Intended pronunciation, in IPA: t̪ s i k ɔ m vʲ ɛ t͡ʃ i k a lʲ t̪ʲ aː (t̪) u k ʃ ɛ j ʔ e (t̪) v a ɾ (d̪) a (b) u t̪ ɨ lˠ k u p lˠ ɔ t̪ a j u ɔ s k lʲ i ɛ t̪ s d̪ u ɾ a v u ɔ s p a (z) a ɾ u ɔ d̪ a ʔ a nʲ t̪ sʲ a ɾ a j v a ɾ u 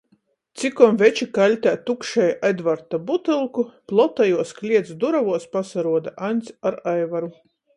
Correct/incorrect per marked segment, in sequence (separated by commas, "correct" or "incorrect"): correct, incorrect, incorrect, correct, incorrect